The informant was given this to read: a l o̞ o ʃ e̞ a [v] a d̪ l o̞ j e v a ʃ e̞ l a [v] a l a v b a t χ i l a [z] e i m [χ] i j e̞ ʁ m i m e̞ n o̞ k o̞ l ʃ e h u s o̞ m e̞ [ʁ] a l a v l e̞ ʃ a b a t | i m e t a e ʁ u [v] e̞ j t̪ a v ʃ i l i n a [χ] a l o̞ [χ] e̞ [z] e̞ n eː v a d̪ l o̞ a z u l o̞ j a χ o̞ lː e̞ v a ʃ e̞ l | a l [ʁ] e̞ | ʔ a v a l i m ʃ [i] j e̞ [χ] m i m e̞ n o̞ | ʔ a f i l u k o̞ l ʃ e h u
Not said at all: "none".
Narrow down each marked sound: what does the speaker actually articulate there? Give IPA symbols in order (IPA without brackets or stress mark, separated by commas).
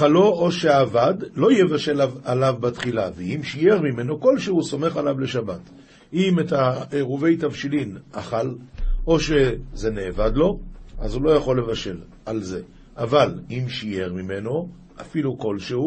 v, v, v, ʃ, χ, v, χ, ʃ, z, z, i, ʁ